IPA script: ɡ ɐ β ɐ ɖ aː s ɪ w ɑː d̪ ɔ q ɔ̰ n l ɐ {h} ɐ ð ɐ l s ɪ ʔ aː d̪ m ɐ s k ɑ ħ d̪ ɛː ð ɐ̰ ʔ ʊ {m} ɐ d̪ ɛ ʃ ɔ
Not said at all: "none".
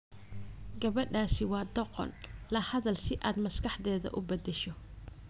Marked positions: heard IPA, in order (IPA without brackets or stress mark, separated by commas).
h, b